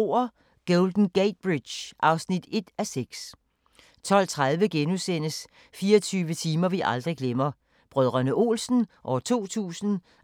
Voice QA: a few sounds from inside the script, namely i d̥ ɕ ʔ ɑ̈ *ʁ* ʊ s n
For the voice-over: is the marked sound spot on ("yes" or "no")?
no